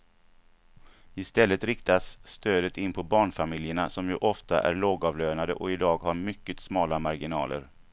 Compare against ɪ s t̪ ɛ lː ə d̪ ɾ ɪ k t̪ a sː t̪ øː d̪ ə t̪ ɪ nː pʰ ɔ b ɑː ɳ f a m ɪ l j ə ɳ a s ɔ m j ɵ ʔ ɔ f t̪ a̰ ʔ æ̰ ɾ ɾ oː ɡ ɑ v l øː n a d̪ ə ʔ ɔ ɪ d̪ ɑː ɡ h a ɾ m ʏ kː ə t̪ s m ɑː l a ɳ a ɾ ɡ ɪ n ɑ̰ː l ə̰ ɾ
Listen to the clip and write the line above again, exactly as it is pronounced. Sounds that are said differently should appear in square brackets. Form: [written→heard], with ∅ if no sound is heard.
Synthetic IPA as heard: ɪ s t̪ ɛ lː ə [d̪→t̪] ɾ ɪ k t̪ a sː t̪ øː d̪ ə t̪ ɪ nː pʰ ɔ b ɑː ɳ f a m ɪ l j ə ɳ a s ɔ m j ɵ ʔ ɔ f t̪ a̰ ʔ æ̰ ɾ [ɾ→ɭ] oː ɡ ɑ v l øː n a d̪ ə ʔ ɔ ɪ d̪ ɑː ɡ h a ɾ m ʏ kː ə t̪ s m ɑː l a [ɳ→m] a ɾ ɡ ɪ n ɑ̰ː l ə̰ ɾ